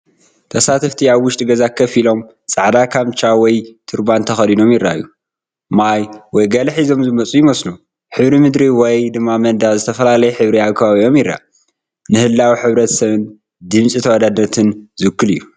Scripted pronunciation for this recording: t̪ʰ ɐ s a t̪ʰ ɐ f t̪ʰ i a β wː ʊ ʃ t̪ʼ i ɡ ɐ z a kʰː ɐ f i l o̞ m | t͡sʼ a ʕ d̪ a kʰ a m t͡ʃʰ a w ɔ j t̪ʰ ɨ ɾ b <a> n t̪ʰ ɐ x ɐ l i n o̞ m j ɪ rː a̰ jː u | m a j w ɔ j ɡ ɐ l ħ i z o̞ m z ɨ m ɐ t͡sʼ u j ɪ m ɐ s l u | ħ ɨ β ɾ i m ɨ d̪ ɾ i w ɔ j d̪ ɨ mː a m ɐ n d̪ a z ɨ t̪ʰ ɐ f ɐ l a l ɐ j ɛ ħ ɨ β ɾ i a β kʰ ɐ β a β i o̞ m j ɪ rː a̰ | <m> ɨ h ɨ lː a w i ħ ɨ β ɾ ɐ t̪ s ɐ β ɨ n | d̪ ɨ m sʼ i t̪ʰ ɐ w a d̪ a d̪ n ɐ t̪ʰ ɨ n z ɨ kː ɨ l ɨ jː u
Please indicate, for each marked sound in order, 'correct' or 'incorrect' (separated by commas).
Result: correct, incorrect